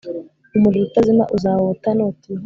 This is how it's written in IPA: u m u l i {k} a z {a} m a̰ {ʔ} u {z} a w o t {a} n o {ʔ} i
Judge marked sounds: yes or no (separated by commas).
no, no, yes, yes, yes, no